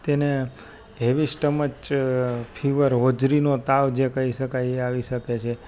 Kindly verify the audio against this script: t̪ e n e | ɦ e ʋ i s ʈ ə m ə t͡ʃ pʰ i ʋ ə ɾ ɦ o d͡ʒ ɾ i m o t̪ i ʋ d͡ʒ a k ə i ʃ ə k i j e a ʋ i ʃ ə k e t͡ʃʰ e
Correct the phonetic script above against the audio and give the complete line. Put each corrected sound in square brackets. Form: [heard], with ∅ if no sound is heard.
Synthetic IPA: t̪ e n e | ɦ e ʋ i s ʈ ə m ə t͡ʃ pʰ i ʋ ə ɾ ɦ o d͡ʒ ɾ i [n] o t̪ [a] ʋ d͡ʒ [e] k ə i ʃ ə k [a] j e a ʋ i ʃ ə k e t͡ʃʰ e